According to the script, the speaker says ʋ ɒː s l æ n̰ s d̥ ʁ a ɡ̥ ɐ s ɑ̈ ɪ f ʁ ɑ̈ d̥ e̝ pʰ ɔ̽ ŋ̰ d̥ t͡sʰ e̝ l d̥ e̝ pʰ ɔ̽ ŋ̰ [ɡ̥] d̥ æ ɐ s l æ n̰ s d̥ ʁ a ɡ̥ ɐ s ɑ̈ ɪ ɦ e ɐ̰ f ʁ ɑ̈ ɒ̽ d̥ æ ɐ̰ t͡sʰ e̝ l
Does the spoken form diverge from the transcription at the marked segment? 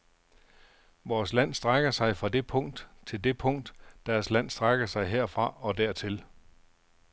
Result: yes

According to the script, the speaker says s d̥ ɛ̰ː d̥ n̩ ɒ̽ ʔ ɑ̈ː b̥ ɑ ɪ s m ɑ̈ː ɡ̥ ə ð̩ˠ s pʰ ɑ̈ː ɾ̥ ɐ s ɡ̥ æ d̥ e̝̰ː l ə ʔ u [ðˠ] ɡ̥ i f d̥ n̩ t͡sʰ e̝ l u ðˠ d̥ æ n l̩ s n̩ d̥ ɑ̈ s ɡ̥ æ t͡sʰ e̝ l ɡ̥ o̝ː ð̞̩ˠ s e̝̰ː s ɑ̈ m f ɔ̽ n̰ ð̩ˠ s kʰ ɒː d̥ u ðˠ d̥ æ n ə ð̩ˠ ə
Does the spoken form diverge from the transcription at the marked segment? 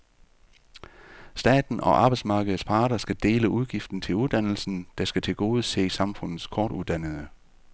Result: no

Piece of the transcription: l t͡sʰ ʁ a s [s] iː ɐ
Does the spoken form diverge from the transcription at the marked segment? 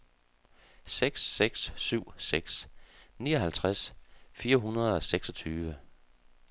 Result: yes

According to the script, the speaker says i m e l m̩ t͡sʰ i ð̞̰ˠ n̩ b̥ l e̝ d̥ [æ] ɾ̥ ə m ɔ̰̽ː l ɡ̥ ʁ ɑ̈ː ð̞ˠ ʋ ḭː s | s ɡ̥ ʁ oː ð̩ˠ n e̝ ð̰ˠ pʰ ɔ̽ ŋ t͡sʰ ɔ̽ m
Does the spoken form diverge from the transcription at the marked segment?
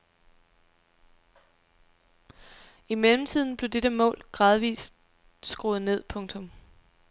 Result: yes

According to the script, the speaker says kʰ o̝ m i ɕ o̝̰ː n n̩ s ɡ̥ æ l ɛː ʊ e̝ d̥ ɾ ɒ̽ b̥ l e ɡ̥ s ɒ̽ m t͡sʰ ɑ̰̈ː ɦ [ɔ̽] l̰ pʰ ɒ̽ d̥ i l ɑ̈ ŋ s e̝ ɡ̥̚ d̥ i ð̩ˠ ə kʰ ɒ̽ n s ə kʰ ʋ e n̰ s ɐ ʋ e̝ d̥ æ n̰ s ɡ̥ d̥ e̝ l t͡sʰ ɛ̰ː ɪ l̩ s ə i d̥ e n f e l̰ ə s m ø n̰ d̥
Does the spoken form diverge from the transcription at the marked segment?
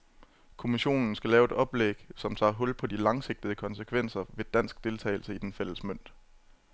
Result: no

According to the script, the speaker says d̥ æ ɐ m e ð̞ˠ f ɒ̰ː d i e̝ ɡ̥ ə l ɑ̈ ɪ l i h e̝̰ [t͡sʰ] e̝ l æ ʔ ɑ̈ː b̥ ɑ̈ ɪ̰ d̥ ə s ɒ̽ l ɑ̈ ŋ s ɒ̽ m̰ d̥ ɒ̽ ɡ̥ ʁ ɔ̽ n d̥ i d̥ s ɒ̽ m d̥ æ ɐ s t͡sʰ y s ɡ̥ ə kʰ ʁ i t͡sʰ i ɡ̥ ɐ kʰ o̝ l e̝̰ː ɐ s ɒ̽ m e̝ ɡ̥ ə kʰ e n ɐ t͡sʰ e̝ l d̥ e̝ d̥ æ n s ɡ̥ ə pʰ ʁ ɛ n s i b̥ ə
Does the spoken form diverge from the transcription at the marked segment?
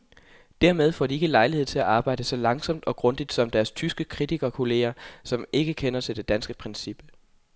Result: no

